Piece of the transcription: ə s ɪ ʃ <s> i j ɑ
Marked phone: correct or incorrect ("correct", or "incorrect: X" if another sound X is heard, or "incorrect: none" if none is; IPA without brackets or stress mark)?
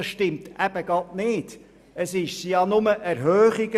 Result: correct